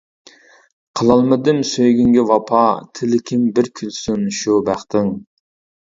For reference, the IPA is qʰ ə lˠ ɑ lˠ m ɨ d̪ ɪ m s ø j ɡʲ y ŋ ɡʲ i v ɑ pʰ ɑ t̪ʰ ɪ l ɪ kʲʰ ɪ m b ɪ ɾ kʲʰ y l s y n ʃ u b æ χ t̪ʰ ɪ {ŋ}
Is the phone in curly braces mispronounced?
no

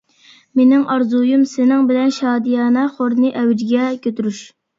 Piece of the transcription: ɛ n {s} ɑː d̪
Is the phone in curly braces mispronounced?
yes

